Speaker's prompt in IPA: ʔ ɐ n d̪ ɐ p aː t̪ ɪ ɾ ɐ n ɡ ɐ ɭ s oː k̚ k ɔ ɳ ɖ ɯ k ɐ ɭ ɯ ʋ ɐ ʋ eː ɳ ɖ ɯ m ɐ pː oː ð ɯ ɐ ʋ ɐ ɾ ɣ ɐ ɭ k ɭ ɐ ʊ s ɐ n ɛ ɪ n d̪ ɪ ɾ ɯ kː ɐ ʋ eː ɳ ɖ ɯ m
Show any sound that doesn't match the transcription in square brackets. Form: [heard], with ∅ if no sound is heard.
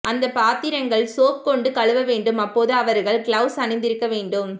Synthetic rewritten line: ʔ ɐ n d̪ ɐ p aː t̪ ɪ ɾ ɐ [ŋ] ɡ ɐ ɭ s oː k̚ k ɔ ɳ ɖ ɯ k ɐ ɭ ɯ ʋ ɐ ʋ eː ɳ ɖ ɯ m ɐ pː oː ð ɯ ɐ ʋ ɐ ɾ ɣ ɐ ɭ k ɭ ɐ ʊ s ɐ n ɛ ɪ n d̪ ɪ ɾ ɯ kː ɐ ʋ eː ɳ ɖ ɯ m